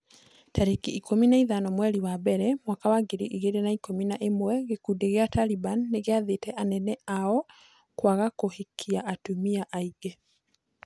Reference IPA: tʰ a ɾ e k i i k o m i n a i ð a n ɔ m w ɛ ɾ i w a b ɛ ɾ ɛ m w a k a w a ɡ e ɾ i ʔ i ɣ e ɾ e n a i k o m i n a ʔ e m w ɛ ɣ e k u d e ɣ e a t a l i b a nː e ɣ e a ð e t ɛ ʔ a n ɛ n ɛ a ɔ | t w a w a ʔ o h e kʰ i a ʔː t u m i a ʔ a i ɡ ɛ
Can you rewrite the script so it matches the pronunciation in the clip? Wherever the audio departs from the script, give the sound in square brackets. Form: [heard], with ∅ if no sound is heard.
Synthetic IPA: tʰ a ɾ e k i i k o m i n a i ð a n ɔ m w ɛ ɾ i w a b ɛ ɾ ɛ m w a k a w a ɡ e ɾ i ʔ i ɣ e ɾ e n a i k o m i n a ʔ e m w ɛ ɣ e k u d e ɣ e a t a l i b a nː e ɣ e a ð e t ɛ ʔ a n ɛ n ɛ a ɔ | [k] w a [ɣ] a [k] o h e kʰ i a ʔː t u m i a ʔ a i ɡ ɛ